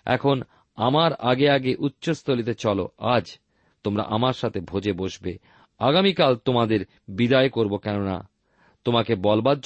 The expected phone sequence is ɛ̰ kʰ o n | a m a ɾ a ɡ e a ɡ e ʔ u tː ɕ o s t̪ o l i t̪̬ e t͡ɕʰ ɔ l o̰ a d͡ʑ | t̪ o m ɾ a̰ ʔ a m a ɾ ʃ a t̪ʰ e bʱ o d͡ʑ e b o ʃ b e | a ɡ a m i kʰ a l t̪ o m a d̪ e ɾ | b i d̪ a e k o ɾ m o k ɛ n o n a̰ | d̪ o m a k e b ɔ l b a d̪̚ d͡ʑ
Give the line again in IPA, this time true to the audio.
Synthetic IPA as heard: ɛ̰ kʰ o n | a m a ɾ a ɡ e a ɡ e ʔ u tː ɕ o s t̪ o l i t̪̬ e t͡ɕ ɔ l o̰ a d͡ʑ | t̪ o m ɾ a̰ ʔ a m a ɾ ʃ a t̪ʰ e bʱ o d͡ʑ e b o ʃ b e | a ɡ a m i k a l t̪ o m a d̪ e ɾ | b i d̪ a e k o ɾ b o k ɛ n o n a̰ | t̪ o m a k e b ɔ l b a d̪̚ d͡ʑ